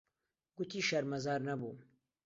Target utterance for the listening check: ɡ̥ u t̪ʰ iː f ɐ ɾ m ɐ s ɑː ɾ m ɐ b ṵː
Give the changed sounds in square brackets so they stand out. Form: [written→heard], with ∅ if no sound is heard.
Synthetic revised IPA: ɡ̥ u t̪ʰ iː [f→ʃ] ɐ ɾ m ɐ [s→z] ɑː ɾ [m→n] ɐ b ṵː